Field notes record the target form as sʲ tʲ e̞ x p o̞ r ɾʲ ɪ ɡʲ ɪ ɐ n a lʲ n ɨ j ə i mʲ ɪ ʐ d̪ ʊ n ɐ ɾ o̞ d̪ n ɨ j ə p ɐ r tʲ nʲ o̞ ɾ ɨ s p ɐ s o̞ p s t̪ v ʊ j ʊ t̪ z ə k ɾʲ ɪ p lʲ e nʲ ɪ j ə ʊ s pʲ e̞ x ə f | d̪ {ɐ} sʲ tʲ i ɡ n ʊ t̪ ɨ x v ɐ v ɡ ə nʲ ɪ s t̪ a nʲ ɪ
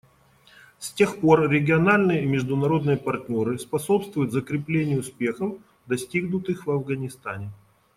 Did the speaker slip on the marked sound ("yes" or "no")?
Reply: no